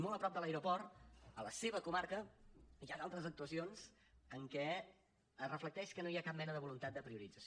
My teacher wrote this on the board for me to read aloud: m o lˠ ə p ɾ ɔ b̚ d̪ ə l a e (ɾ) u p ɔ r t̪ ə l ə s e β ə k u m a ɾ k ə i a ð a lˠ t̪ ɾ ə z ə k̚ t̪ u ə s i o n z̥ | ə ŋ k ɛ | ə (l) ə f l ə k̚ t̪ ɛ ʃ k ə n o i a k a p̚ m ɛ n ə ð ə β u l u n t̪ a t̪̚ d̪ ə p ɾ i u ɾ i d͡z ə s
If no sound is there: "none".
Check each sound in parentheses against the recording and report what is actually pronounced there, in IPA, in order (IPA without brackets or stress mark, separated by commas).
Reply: ɾ, r